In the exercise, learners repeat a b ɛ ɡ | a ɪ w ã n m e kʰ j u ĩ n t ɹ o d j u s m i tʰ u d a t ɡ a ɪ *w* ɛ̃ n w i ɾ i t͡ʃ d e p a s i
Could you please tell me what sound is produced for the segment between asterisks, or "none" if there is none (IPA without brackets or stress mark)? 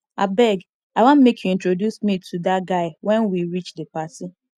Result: w